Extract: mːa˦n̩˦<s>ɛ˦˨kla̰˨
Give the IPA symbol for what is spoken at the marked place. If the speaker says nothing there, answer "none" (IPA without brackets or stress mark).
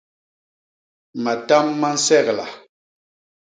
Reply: s